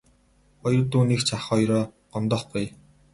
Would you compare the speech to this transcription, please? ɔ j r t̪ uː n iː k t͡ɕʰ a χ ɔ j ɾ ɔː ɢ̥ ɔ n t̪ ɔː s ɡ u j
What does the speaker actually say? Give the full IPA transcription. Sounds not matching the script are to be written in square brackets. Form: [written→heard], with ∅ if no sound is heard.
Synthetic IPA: ɔ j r t̪ uː n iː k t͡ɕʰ a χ ɔ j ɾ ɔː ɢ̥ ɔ n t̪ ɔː [s→χ] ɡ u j